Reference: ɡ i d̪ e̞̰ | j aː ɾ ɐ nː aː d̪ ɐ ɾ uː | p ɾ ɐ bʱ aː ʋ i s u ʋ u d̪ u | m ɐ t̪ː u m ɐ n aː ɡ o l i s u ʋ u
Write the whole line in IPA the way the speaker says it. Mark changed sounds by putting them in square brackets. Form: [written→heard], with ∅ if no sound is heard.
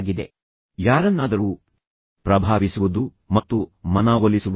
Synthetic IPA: ɡ i d̪ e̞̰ | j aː ɾ ɐ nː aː d̪ ɐ ɾ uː | p ɾ ɐ bʱ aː ʋ i s u ʋ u d̪ u | m ɐ t̪ː u m ɐ n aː ɡ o l i s u ʋ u